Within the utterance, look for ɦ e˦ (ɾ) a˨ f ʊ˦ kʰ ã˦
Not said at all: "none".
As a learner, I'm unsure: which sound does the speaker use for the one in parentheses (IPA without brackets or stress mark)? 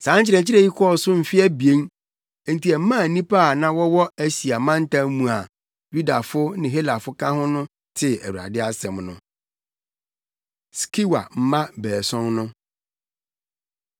l